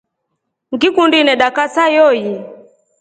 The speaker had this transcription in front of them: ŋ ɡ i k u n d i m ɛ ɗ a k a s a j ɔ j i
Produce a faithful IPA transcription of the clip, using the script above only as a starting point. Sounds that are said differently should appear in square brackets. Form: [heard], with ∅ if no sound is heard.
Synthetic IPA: ŋ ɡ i k u n d i [n] ɛ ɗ a k a s a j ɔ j i